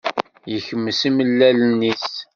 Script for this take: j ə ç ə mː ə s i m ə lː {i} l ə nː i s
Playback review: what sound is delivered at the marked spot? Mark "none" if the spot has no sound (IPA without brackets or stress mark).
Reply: æ